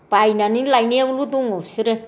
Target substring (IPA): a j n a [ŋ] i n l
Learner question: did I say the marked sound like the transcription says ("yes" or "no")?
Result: no